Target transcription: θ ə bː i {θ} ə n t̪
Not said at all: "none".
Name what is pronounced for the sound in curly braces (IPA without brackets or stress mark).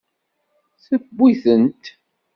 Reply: θ